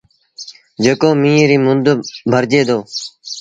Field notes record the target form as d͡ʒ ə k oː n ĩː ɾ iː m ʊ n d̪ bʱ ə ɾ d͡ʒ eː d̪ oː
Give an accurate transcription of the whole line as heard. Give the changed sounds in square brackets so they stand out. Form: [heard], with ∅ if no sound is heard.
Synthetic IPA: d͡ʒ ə k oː [m] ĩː ɾ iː m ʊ n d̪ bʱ ə ɾ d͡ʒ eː d̪ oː